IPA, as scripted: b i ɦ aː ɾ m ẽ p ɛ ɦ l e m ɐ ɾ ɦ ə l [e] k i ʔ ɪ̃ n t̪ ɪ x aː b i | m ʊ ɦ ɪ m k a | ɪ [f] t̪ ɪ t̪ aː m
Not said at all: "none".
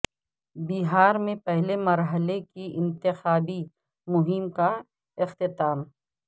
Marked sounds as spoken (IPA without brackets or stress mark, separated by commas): e, x